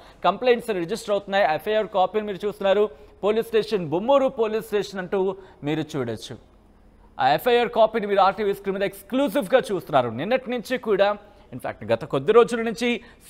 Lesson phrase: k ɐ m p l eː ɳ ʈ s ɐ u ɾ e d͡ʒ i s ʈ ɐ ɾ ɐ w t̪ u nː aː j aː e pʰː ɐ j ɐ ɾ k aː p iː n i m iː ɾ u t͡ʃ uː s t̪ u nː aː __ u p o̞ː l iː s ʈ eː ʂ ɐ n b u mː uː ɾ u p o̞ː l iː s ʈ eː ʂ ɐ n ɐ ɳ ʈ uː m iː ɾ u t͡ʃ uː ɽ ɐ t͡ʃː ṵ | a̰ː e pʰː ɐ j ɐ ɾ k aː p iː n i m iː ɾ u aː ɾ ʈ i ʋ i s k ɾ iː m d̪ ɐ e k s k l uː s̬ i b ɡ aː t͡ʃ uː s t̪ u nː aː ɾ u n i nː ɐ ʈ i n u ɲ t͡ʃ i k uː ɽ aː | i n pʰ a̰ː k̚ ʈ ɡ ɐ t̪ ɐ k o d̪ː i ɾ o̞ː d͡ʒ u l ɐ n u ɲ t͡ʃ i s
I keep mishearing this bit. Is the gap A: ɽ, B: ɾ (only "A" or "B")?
B